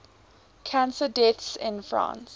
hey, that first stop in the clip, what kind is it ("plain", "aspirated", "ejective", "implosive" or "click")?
aspirated